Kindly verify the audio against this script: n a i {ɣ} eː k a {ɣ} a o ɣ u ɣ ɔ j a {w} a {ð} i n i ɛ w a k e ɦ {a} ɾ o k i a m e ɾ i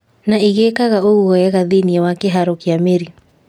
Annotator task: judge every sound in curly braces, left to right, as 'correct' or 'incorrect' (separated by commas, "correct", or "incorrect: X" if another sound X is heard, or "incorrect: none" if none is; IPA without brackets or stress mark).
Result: correct, correct, incorrect: ɣ, correct, correct